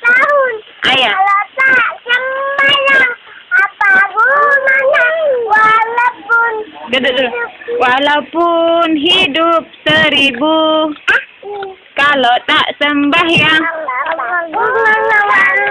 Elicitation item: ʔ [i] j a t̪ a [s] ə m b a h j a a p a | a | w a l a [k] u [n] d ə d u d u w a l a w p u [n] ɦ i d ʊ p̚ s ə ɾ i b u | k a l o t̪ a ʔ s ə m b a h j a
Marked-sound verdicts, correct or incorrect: incorrect: a, correct, incorrect: p, correct, correct

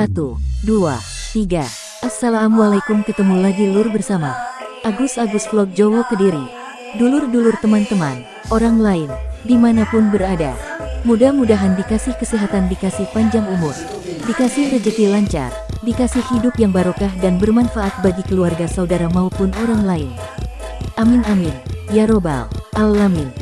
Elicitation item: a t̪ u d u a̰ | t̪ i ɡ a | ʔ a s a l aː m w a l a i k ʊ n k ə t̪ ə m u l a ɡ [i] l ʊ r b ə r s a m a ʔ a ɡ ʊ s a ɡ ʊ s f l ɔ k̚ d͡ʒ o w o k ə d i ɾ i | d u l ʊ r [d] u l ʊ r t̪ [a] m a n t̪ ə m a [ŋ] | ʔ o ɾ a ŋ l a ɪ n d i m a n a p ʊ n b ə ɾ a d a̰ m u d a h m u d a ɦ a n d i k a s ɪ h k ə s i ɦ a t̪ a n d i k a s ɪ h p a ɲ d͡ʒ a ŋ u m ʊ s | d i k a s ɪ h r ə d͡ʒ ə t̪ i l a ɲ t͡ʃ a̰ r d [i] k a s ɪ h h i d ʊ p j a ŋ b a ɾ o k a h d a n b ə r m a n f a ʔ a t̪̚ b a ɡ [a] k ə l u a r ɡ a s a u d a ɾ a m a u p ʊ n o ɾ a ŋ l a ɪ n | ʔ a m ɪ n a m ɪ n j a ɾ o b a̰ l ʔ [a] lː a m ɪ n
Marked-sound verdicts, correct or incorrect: correct, correct, incorrect: ə, incorrect: n, correct, incorrect: i, correct

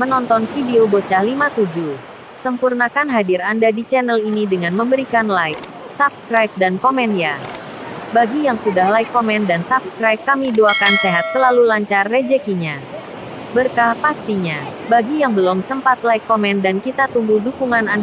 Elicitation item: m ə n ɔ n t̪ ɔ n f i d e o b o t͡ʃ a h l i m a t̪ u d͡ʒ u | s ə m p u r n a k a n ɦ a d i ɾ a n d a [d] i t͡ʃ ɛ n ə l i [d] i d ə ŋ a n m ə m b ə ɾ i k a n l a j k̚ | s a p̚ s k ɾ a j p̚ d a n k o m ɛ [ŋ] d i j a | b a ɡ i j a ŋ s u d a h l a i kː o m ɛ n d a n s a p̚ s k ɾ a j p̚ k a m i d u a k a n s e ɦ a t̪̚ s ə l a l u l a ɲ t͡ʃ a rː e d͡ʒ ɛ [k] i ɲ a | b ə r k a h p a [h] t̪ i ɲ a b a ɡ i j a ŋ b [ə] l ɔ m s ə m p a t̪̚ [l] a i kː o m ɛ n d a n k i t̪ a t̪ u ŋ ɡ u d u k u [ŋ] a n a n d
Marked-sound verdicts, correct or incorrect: correct, incorrect: n, incorrect: n, correct, incorrect: s, correct, correct, correct

